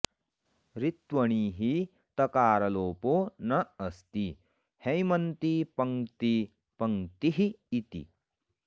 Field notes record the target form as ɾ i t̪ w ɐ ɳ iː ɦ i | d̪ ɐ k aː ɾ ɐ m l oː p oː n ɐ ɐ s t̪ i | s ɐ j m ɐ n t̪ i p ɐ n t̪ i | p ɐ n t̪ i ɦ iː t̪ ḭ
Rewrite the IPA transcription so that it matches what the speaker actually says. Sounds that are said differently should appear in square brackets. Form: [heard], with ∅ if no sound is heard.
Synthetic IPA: ɾ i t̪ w ɐ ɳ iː ɦ i | [t̪] ɐ k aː ɾ ɐ [∅] l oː p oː n ɐ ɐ s t̪ i | [h] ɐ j m ɐ n t̪ i p ɐ [ŋ] t̪ i | p ɐ [ŋ] t̪ i ɦ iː t̪ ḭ

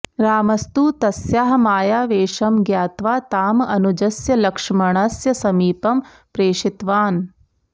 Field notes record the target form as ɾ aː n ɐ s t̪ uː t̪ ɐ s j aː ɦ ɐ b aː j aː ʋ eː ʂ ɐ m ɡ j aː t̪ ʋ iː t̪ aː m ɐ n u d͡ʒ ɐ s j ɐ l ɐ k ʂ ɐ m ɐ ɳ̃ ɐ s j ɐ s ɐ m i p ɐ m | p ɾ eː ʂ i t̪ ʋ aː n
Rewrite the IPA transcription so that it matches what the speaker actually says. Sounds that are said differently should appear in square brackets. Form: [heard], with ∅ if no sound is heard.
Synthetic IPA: ɾ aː [m] ɐ s t̪ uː t̪ ɐ s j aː ɦ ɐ [m] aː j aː ʋ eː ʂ ɐ m ɡ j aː t̪ ʋ [aː] t̪ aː m ɐ n u d͡ʒ ɐ s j ɐ l ɐ k ʂ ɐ m ɐ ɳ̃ ɐ s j ɐ s ɐ m [iː] p ɐ m | p ɾ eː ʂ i t̪ ʋ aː n

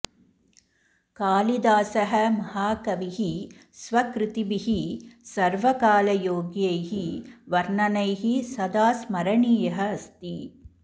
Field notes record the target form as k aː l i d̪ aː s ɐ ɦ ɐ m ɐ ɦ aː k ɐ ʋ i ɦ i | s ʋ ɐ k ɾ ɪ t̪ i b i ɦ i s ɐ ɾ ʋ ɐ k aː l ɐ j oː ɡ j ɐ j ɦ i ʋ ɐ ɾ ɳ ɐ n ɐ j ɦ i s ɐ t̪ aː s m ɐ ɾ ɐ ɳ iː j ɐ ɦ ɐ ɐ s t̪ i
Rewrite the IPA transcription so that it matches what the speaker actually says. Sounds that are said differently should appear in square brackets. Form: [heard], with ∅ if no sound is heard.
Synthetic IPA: k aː l i d̪ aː s ɐ ɦ ɐ m ɐ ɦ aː k ɐ ʋ i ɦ i | s ʋ ɐ k ɾ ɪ t̪ i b i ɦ i s ɐ ɾ ʋ ɐ k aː l ɐ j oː ɡ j ɐ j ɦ i ʋ ɐ ɾ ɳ ɐ n ɐ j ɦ i s ɐ [d̪] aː s m ɐ ɾ ɐ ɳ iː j ɐ ɦ ɐ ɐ s t̪ i

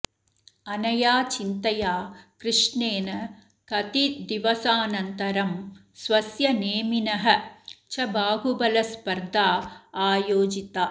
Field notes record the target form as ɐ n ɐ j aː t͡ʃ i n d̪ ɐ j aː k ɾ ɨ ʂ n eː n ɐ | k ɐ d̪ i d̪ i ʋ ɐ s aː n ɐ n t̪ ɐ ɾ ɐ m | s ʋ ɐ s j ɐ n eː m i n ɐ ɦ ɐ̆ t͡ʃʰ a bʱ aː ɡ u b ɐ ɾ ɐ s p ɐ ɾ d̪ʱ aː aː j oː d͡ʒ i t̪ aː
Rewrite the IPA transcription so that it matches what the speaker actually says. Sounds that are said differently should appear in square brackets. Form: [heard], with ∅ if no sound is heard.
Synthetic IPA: ɐ n ɐ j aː t͡ʃ i n [t̪] ɐ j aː k ɾ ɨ ʂ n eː n ɐ | k ɐ [t̪] i d̪ i ʋ ɐ s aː n ɐ n t̪ ɐ ɾ ɐ m | s ʋ ɐ s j ɐ n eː m i n ɐ ɦ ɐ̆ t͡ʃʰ [ɐ] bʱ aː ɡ u b ɐ [l] ɐ s p ɐ ɾ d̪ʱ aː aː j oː d͡ʒ i t̪ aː

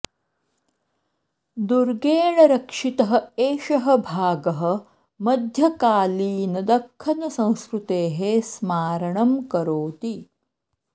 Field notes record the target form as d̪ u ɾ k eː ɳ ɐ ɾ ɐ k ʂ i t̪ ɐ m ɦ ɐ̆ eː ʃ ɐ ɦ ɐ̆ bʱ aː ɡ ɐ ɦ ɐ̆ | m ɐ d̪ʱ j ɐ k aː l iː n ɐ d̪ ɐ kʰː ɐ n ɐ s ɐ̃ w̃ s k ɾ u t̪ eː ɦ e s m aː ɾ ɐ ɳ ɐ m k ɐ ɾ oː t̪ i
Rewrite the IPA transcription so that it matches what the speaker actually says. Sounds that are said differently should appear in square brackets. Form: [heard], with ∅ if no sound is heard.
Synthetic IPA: d̪ u ɾ [ɡ] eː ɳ ɐ ɾ ɐ k ʂ i t̪ ɐ [∅] ɦ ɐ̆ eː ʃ ɐ ɦ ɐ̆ bʱ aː ɡ ɐ ɦ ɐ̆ | m ɐ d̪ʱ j ɐ k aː l iː n ɐ d̪ ɐ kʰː ɐ n ɐ s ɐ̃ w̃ s k ɾ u t̪ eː ɦ e s m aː ɾ ɐ ɳ ɐ m k ɐ ɾ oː t̪ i

